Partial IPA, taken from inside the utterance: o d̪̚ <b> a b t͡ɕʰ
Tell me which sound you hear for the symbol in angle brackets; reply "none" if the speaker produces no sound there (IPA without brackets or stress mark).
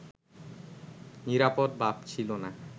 b